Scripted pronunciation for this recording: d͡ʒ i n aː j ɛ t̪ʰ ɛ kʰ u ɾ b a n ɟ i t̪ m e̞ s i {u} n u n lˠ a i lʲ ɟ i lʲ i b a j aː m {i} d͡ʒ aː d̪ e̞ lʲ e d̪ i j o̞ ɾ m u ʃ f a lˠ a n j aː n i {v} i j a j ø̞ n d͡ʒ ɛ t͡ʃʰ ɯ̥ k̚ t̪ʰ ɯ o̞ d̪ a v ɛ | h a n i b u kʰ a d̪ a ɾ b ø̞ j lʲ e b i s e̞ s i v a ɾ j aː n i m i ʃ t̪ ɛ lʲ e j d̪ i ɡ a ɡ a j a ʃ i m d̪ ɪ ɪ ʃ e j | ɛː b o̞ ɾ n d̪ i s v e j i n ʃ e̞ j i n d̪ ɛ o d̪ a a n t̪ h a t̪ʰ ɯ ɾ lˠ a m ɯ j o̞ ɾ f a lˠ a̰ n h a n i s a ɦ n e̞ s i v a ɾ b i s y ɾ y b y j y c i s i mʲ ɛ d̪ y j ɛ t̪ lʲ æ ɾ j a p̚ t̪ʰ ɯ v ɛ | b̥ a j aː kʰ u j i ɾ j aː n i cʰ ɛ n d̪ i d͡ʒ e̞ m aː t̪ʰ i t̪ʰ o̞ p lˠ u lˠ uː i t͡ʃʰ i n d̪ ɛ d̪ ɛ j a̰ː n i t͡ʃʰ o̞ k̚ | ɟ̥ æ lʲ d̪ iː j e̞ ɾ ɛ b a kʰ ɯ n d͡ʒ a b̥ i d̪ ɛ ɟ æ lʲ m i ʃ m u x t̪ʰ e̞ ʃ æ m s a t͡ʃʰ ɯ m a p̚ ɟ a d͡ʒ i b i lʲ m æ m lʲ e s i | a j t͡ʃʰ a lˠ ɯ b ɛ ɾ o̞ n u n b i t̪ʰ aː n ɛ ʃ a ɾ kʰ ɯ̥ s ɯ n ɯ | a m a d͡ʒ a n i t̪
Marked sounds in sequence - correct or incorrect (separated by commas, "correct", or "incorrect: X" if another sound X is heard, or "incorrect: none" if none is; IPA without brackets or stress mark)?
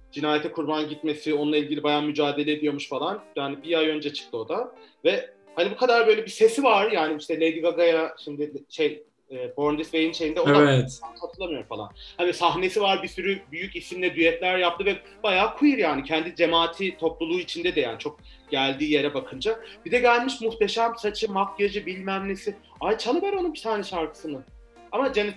incorrect: o, incorrect: y, incorrect: b